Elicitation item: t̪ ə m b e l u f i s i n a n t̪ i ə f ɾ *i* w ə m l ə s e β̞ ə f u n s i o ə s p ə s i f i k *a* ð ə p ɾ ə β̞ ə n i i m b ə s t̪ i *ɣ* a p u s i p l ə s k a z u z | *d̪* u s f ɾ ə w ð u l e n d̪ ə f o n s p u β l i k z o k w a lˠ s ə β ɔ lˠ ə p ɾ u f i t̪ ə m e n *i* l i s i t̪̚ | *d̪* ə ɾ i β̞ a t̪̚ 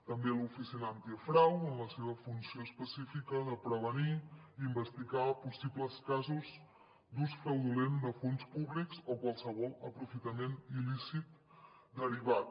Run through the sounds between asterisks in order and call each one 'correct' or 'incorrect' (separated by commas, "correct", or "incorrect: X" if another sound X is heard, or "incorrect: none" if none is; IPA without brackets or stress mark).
incorrect: a, incorrect: ə, correct, correct, correct, correct